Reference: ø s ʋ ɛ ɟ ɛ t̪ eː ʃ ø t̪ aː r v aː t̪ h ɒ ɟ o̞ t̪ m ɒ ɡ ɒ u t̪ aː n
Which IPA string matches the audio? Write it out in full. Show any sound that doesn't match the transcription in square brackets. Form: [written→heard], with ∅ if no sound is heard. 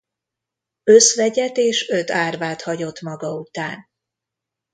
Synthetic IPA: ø s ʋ ɛ ɟ ɛ t̪ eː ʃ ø t̪ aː r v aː t̪ h ɒ ɟ o̞ t̪ m ɒ ɡ ɒ u t̪ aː n